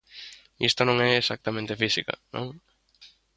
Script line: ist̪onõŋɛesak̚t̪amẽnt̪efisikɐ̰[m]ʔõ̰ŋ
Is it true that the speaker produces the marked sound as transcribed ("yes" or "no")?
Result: no